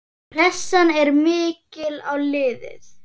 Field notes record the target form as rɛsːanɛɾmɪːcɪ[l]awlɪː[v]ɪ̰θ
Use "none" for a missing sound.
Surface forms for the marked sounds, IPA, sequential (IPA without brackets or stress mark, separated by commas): l, ð